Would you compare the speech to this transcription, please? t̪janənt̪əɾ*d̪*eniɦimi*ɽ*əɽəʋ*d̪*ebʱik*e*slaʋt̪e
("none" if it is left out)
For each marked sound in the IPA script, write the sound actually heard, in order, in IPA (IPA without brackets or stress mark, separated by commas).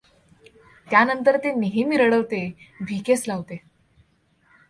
t̪, ɾ, t̪, e